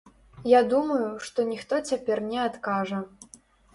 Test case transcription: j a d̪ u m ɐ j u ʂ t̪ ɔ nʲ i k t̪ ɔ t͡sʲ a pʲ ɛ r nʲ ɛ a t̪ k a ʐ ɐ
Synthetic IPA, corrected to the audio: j a d̪ u m ɐ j u ʂ t̪ ɔ nʲ i x t̪ ɔ t͡sʲ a pʲ ɛ r nʲ ɛ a t̪ k a ʐ ɐ